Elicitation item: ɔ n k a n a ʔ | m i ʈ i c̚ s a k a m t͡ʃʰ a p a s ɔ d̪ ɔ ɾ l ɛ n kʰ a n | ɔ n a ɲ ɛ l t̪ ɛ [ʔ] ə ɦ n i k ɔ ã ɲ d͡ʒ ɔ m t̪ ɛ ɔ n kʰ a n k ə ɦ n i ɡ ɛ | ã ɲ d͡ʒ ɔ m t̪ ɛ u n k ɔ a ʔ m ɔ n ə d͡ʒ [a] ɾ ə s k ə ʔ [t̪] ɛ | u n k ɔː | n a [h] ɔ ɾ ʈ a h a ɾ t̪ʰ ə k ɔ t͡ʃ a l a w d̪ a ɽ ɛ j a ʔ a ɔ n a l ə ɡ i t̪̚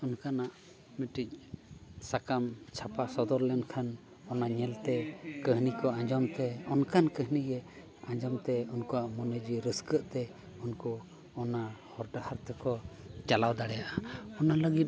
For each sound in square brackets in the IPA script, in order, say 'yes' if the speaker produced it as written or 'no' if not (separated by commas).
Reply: no, no, yes, yes